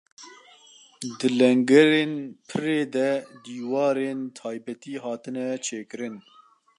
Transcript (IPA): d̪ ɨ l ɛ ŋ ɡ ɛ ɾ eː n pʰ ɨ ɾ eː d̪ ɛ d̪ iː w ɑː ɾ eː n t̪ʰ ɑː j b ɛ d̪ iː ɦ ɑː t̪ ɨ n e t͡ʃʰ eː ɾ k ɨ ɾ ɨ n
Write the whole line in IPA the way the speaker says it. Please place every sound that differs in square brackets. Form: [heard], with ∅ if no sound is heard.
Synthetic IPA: d̪ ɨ l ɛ ŋ ɡ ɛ ɾ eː n pʰ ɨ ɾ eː d̪ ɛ d̪ iː w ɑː ɾ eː n t̪ʰ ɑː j b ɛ [t̪] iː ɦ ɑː t̪ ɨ n [ɛ] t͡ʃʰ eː [∅] k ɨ ɾ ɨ n

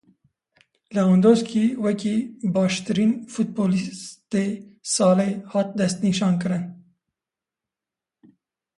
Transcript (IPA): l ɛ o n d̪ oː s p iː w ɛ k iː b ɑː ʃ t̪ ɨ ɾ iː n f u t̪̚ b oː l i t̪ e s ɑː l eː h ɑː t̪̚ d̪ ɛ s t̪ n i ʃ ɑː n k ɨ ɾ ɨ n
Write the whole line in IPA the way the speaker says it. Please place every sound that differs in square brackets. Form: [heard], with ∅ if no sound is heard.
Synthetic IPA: l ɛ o n d̪ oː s [k] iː w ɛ k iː b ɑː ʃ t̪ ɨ ɾ iː n f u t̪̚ b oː l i t̪ e s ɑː l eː h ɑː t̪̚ d̪ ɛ s t̪ n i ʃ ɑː n k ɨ ɾ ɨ n

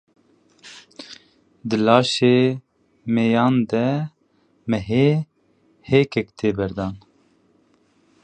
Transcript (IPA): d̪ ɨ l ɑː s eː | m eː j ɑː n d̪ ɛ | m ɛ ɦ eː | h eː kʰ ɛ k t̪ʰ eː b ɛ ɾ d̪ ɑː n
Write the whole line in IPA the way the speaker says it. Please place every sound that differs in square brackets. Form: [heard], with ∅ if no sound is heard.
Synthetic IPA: d̪ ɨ l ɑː [ʃ] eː | m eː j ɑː n d̪ ɛ | m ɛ ɦ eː | h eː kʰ ɛ k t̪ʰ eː b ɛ ɾ d̪ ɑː n

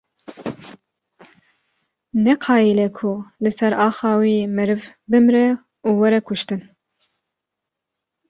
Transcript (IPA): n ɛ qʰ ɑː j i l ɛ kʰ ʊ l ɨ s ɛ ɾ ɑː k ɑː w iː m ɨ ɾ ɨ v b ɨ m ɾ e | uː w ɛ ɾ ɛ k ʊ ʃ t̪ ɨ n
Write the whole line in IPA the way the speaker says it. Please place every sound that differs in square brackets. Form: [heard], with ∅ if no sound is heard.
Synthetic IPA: n ɛ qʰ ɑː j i l ɛ kʰ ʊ l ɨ s ɛ ɾ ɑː [x] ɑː w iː m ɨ ɾ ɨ v b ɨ m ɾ [ɛ] | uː w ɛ ɾ ɛ k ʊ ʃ t̪ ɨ n

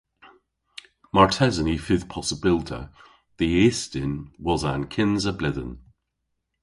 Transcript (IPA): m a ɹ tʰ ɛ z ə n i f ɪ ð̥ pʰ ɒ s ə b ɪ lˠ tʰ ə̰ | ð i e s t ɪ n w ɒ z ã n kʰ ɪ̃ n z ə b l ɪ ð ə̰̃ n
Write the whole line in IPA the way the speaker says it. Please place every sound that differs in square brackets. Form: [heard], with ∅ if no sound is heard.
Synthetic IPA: m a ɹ tʰ ɛ z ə n i f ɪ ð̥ pʰ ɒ s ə b ɪ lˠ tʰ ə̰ | ð i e s t ɪ n w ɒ z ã n kʰ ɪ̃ n z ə b l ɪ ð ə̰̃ n

